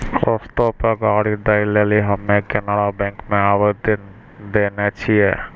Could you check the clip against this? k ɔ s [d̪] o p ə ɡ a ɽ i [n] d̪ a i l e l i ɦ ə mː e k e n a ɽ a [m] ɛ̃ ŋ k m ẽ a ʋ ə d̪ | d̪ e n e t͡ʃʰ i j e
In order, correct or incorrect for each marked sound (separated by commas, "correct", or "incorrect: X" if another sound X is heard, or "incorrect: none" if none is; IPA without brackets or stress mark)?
incorrect: t̪, incorrect: none, incorrect: b